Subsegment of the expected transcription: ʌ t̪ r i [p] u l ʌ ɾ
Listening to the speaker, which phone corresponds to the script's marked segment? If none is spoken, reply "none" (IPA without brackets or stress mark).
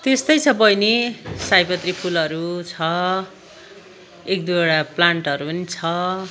pʰ